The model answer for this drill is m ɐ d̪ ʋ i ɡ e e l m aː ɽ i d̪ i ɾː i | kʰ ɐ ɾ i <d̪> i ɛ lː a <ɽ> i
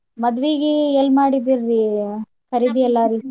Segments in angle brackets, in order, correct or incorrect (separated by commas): correct, incorrect